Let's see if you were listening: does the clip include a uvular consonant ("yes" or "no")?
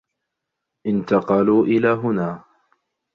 yes